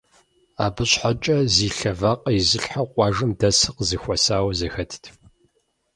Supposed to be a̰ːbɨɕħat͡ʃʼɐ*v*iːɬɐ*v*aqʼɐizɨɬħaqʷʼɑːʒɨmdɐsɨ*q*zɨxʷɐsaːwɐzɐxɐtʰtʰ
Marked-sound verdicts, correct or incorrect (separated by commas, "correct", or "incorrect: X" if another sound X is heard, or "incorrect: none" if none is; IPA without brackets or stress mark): incorrect: z, correct, correct